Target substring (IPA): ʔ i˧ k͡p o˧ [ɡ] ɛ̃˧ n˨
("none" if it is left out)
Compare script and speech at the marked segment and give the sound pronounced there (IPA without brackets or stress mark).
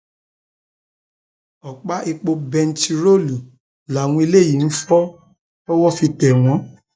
b